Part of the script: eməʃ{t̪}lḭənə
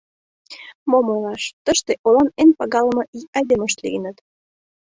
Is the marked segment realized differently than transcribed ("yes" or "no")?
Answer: no